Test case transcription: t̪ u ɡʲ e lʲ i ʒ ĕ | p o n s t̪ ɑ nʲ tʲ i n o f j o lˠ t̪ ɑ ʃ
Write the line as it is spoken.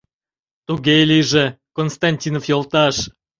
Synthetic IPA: t̪ u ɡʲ e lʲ i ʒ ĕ | k o n s t̪ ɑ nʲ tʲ i n o f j o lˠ t̪ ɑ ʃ